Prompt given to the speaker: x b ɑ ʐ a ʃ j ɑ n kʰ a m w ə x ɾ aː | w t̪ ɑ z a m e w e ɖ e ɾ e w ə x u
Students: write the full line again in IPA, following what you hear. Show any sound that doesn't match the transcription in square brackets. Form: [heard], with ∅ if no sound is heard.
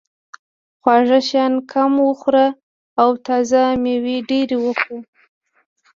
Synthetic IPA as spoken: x [w] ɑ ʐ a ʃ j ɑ n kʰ a m w ə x ɾ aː | w t̪ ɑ z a m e w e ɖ e ɾ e w ə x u